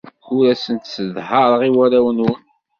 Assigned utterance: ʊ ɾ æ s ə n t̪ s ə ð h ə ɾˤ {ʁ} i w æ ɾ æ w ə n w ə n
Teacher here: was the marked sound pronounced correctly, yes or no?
yes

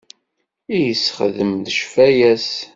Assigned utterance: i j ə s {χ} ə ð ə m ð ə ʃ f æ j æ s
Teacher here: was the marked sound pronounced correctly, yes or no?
yes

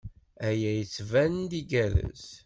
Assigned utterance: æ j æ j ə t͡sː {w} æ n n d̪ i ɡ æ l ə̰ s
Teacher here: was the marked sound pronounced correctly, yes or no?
no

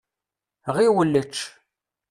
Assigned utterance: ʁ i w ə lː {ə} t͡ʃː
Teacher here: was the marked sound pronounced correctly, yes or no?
yes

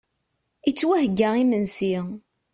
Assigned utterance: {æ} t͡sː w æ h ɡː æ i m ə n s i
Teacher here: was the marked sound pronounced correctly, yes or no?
no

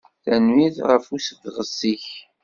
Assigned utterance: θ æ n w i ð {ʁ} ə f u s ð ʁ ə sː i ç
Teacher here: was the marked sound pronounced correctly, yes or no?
yes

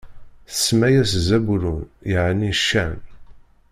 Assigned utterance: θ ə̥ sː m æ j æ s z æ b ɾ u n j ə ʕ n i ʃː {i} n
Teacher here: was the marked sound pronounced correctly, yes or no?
no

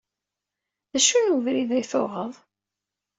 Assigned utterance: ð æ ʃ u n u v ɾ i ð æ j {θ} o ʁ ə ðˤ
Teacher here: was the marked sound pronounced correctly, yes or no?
yes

